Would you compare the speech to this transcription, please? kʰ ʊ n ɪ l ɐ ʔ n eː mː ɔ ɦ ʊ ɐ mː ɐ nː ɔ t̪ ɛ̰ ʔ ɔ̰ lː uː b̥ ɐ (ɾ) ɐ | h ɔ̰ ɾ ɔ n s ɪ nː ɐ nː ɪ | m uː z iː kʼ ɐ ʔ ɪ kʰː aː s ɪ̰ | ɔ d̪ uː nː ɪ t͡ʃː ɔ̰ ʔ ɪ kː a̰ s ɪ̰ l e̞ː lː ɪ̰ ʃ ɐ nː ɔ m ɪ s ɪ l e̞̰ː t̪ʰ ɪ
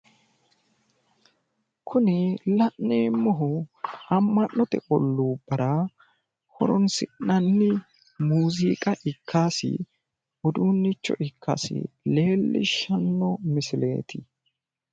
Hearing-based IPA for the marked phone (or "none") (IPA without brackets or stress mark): ɾ